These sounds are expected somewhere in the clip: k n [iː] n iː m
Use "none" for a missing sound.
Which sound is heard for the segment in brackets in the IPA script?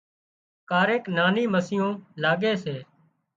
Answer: aː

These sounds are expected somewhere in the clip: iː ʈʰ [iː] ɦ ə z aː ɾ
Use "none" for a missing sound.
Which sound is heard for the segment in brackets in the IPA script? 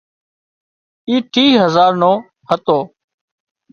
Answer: iː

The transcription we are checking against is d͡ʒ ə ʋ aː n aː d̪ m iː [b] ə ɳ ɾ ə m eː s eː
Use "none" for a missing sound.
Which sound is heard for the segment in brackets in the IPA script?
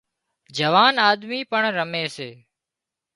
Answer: p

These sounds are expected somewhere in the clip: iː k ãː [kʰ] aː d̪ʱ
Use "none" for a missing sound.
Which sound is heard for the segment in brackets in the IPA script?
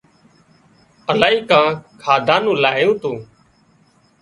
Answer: kʰ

